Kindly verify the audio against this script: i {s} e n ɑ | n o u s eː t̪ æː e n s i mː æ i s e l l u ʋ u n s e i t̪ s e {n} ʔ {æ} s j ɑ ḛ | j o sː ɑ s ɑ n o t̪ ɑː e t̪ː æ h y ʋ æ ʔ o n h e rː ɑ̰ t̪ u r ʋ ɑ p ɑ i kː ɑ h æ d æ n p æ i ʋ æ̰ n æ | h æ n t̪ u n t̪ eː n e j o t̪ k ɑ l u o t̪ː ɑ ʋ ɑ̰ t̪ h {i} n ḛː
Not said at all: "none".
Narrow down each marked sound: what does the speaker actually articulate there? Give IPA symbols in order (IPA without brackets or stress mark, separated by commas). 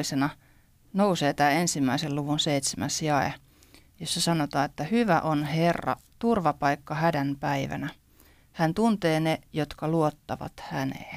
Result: s, m, æ, æ